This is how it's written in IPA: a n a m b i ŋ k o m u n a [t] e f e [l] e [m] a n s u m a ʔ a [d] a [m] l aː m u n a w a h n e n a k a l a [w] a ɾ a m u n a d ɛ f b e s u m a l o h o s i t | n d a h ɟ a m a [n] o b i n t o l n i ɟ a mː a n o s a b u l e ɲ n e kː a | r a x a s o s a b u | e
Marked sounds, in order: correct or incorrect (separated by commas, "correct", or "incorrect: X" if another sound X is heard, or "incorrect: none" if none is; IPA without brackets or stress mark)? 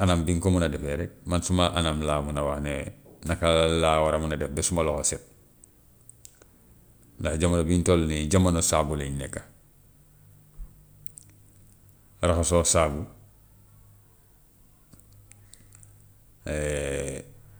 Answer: incorrect: d, incorrect: ɾ, correct, incorrect: n, correct, correct, correct